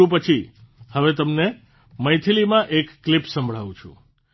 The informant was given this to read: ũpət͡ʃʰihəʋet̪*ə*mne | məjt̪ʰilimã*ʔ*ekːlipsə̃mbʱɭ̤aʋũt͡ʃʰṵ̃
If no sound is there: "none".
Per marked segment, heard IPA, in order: ə, ʔ

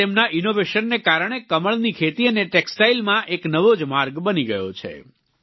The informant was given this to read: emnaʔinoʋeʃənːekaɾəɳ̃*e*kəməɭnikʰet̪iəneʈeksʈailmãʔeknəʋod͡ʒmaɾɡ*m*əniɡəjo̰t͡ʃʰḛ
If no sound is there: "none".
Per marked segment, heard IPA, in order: e, b

